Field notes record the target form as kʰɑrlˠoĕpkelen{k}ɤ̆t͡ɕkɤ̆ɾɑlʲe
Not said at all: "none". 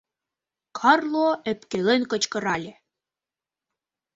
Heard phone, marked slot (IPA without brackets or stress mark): k